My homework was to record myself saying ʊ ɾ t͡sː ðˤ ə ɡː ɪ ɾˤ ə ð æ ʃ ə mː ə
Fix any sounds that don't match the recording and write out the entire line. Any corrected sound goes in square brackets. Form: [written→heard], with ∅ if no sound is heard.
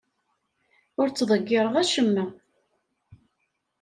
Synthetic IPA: ʊ ɾ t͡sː ðˤ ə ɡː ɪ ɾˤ ə [ð→ʁ] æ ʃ ə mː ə